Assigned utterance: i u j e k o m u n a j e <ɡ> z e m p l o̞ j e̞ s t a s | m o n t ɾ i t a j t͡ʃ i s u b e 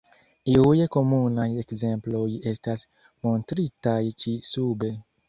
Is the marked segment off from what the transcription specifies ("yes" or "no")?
yes